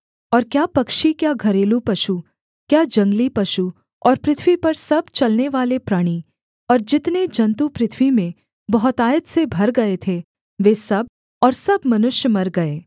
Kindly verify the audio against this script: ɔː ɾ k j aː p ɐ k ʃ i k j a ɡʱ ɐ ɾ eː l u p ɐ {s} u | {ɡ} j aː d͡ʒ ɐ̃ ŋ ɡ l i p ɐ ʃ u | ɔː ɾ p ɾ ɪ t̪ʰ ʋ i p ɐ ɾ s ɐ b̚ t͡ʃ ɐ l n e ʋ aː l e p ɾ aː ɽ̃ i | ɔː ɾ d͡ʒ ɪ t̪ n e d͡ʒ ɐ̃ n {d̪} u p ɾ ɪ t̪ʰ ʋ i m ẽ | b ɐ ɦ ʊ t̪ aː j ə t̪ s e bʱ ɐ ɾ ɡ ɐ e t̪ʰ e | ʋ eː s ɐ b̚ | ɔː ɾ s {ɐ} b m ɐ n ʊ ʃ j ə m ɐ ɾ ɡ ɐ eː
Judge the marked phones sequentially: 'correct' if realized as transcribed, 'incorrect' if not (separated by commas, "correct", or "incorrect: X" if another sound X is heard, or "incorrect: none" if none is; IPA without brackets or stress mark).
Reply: incorrect: ʃ, incorrect: k, incorrect: t̪, correct